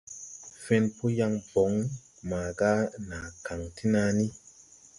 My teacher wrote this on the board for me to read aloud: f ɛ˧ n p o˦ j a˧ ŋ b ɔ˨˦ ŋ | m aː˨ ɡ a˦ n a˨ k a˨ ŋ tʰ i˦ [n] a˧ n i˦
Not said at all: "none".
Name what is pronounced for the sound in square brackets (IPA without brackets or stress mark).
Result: n